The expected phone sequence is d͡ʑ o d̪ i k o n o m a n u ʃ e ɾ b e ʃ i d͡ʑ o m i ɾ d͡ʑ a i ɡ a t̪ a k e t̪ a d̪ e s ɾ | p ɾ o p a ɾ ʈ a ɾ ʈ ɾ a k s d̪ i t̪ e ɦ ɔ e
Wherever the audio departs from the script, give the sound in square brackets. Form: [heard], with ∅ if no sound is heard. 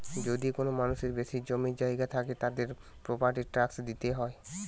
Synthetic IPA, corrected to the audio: d͡ʑ o d̪ i k o n o m a n u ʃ e ɾ b e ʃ i d͡ʑ o m i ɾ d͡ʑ a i ɡ a [t̪ʰ] a k e t̪ a d̪ e [∅] ɾ | p ɾ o p a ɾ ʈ [i] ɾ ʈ ɾ a k s d̪ i t̪ e ɦ ɔ e